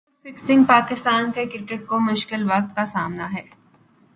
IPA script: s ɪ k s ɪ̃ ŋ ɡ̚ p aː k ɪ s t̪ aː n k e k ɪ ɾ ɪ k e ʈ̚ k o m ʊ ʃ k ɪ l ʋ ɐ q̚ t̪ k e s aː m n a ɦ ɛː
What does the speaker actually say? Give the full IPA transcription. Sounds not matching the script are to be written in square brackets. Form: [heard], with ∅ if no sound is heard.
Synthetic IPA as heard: [f] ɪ k s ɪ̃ ŋ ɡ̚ p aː k ɪ s t̪ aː n k e k ɪ ɾ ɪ k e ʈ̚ k o m ʊ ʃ k ɪ l ʋ ɐ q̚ t̪ k [a] s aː m n a ɦ ɛː